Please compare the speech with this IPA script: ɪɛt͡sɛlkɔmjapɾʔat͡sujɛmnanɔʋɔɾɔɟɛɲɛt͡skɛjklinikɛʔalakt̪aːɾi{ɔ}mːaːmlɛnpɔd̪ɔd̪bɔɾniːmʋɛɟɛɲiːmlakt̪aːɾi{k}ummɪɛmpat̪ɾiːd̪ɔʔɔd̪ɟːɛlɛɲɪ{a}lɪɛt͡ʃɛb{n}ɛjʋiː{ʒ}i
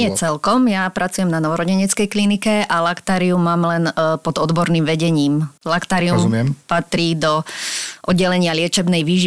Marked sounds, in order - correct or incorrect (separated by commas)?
incorrect, incorrect, correct, correct, correct